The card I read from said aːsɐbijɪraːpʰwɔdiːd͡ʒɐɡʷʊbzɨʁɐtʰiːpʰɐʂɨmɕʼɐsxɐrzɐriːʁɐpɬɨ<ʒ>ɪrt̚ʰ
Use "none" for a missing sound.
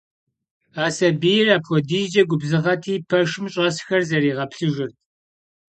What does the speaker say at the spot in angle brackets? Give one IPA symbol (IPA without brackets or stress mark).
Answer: ʒ